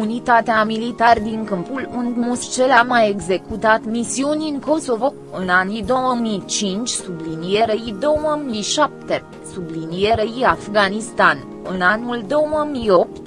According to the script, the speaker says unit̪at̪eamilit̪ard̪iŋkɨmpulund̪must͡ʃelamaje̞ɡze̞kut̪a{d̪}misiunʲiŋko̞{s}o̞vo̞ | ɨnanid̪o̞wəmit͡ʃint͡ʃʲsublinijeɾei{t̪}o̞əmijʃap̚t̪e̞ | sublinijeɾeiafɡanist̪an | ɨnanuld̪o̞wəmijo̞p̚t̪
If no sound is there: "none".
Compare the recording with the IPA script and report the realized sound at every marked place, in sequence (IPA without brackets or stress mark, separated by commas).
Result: t̪, s, d̪